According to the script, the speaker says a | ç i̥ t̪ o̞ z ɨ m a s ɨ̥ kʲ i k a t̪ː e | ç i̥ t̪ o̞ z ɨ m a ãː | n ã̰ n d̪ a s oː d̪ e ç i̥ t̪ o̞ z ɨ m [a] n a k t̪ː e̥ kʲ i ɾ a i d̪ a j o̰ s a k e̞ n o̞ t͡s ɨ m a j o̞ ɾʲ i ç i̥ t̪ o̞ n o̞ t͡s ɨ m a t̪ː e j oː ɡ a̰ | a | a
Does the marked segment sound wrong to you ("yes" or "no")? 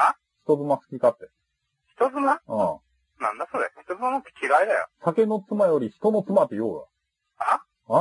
no